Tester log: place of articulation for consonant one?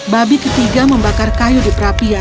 labial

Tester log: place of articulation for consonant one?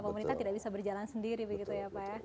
labial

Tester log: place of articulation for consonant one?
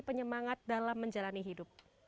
labial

